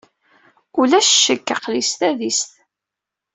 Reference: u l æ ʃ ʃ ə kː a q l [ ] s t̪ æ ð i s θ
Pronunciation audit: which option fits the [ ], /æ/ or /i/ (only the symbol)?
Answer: i